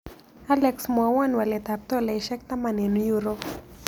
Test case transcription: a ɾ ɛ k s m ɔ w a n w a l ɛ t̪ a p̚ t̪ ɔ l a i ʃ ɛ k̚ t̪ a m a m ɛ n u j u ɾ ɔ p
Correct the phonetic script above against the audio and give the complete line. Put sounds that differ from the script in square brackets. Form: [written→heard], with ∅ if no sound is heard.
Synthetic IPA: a [ɾ→l] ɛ k s m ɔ w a n w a l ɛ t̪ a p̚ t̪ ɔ l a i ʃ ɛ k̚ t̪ a m a [m→n] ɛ n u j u ɾ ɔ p